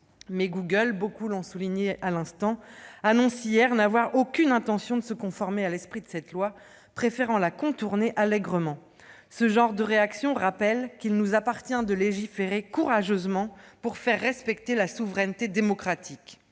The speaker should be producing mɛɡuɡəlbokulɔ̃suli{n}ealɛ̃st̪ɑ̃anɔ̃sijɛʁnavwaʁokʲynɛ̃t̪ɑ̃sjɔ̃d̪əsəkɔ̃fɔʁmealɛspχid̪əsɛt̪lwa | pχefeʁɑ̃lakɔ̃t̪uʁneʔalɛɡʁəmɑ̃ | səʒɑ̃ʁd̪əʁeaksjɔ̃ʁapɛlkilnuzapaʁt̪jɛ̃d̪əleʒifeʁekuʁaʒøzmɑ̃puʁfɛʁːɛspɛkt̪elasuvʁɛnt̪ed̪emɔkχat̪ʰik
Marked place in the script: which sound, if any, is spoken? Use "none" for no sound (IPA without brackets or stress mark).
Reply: ɲ